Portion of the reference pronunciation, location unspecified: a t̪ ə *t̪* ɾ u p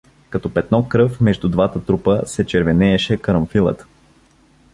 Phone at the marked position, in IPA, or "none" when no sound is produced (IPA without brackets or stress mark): t̪